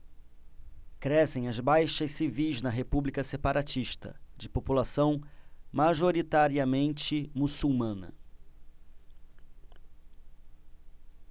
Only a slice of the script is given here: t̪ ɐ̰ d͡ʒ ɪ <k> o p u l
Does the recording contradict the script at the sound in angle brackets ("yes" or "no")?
yes